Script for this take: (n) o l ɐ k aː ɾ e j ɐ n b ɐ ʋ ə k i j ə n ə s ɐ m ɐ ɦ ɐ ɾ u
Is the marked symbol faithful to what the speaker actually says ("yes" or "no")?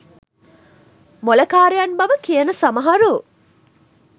no